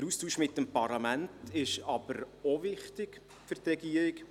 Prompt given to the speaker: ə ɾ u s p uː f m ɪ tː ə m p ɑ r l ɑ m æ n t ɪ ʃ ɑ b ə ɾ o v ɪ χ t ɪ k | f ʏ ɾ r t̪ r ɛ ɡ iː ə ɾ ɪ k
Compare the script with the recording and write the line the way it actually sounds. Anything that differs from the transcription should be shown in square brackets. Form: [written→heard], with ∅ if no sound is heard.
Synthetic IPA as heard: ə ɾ u s [p→t] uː [f→ʃ] m ɪ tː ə m p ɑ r l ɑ m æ n t ɪ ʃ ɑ b ə ɾ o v ɪ χ t ɪ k | f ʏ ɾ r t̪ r ɛ ɡ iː ə ɾ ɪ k